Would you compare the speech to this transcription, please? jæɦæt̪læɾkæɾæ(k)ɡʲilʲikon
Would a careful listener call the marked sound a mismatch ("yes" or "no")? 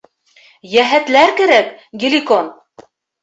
no